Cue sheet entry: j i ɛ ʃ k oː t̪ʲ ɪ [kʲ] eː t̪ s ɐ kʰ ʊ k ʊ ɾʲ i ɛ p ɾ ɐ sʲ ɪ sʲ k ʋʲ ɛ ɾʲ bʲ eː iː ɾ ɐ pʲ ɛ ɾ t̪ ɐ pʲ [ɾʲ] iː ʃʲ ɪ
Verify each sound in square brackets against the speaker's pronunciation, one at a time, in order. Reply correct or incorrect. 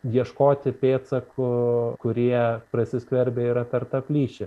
incorrect, incorrect

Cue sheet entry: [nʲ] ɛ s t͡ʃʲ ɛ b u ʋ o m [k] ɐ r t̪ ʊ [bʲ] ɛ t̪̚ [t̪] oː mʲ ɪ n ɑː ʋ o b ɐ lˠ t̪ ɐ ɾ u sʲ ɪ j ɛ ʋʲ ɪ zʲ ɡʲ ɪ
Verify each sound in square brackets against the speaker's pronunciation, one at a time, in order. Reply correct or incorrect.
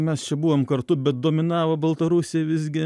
incorrect, correct, correct, incorrect

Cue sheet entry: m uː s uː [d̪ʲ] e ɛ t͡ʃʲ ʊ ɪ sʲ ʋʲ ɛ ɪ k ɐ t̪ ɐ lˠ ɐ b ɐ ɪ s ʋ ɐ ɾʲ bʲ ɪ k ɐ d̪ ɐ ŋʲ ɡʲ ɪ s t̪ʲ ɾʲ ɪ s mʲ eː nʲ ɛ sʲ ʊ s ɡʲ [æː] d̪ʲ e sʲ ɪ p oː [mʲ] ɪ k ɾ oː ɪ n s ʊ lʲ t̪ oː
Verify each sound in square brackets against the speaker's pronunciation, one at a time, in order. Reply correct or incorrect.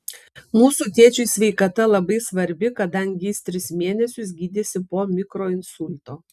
incorrect, incorrect, correct

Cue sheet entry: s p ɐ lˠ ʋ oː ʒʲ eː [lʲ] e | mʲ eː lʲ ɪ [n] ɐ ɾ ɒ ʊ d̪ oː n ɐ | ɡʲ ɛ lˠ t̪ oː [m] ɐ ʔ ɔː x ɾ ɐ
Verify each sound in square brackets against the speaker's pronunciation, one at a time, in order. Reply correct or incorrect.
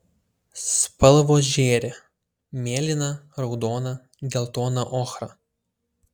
incorrect, correct, incorrect

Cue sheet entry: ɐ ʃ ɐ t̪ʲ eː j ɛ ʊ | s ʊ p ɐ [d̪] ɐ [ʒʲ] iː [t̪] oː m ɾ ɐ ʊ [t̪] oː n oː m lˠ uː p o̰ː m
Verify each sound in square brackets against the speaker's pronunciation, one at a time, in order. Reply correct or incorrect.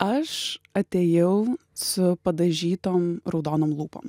correct, correct, correct, incorrect

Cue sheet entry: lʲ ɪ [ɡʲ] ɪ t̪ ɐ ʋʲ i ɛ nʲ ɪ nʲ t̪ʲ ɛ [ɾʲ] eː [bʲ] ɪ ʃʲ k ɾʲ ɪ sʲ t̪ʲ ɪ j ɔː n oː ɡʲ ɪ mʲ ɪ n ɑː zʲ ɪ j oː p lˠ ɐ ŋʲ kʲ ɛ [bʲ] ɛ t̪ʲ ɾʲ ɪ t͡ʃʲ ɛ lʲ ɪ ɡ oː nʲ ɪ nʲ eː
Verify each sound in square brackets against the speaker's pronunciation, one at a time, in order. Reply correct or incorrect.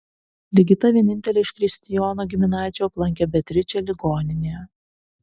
correct, incorrect, incorrect, correct

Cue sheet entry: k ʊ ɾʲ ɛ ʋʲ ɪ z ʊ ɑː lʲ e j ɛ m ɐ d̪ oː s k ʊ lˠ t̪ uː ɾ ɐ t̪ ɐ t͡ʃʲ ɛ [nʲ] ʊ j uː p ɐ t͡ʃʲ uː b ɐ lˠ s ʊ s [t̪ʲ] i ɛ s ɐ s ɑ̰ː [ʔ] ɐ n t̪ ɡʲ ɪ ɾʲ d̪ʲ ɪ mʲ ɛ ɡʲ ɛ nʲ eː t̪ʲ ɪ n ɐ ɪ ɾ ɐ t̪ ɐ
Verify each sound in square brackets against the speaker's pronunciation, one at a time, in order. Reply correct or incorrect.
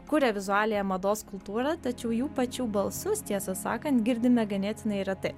incorrect, correct, incorrect

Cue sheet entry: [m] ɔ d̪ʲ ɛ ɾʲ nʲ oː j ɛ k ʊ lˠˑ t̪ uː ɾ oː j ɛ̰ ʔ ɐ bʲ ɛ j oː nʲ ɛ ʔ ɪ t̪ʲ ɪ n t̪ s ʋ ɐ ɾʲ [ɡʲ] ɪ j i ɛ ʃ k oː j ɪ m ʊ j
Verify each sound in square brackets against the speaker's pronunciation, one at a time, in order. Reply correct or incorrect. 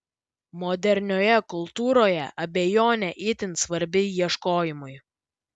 correct, incorrect

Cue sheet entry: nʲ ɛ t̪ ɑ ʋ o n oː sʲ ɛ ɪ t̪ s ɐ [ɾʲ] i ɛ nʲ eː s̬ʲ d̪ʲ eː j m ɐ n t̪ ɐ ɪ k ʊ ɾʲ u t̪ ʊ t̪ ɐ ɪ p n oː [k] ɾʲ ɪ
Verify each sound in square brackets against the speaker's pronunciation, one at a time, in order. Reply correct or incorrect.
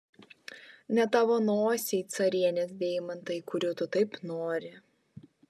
correct, incorrect

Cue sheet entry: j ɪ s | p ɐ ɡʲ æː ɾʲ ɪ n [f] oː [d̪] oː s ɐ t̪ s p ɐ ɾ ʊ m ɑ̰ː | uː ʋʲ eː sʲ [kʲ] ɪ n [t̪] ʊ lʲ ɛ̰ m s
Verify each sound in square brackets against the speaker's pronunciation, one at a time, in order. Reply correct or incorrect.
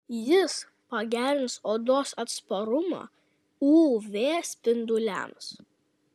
incorrect, correct, incorrect, incorrect

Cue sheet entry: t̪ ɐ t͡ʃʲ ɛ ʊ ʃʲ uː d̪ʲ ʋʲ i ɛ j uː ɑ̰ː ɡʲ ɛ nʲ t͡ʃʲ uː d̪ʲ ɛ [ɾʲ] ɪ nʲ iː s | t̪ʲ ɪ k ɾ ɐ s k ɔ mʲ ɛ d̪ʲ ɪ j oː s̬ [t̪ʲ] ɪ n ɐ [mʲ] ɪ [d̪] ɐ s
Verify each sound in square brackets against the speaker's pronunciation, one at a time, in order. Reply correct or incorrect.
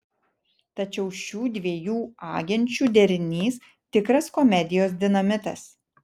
correct, incorrect, correct, incorrect

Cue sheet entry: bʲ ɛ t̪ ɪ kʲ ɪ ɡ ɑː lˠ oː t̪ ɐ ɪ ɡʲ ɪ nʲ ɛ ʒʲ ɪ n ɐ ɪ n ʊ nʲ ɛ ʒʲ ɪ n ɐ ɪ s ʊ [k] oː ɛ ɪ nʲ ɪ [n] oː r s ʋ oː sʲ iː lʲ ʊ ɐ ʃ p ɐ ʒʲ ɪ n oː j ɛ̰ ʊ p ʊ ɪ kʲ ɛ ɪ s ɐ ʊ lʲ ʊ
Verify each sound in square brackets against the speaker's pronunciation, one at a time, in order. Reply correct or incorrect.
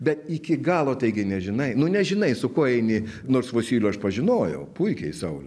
correct, correct

